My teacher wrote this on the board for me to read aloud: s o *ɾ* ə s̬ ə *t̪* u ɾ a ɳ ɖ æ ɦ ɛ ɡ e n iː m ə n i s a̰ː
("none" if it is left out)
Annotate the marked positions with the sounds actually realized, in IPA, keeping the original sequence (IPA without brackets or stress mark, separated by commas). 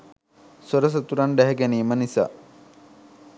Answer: ɾ, t̪